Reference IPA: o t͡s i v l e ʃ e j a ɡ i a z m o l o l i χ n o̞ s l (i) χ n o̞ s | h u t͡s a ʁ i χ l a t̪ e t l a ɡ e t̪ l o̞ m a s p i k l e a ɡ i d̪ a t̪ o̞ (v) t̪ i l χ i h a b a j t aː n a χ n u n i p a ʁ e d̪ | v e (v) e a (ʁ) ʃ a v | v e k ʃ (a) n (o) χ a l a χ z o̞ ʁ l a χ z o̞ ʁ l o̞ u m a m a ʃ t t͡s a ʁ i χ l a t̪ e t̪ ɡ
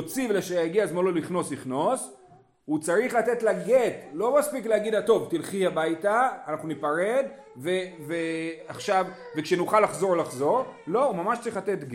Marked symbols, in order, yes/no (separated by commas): yes, yes, yes, no, no, no